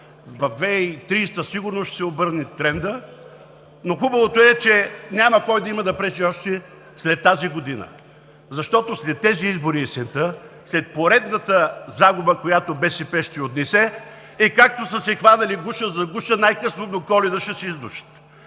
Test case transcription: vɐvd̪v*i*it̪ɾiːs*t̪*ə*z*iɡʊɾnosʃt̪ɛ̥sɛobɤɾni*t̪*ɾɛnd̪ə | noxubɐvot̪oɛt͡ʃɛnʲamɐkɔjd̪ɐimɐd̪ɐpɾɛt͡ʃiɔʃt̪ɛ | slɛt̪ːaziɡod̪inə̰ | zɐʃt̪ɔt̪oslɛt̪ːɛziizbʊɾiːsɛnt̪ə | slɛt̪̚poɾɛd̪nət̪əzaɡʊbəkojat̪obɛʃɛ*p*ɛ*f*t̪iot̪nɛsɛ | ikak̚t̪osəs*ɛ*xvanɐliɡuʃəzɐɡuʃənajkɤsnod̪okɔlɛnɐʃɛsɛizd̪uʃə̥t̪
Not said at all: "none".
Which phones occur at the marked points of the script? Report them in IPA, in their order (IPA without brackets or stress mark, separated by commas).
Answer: ɛ, t̪, s, t̪, p, ʃ, ɛ